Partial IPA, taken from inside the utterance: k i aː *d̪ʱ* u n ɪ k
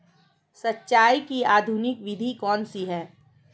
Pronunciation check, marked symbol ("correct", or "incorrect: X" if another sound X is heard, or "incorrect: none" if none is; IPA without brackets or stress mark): correct